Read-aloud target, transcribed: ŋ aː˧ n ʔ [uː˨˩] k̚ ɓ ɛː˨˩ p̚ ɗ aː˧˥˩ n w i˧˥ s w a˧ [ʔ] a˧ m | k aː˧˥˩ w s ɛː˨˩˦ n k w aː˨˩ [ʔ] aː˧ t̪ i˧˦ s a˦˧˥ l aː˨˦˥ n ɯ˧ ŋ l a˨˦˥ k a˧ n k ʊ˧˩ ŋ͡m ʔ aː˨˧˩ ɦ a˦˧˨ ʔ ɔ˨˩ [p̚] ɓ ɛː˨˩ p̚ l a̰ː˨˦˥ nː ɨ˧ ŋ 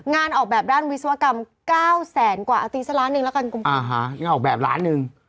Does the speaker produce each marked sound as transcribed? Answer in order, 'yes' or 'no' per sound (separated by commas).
no, no, yes, no